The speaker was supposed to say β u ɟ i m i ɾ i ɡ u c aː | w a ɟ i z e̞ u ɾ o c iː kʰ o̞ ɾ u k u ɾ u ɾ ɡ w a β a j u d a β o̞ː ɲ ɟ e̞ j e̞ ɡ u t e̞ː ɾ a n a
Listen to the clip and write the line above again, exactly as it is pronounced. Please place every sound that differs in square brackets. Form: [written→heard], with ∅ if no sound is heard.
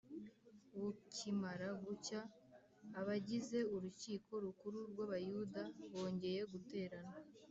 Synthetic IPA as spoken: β u [ɟ→c] i m [i→a] ɾ [i→a] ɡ u c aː | [w→β] a ɟ i z e̞ u ɾ [o→u] c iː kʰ o̞ ɾ u k u ɾ u ɾ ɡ w a β a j u d a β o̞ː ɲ ɟ e̞ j e̞ ɡ u t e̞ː ɾ a n a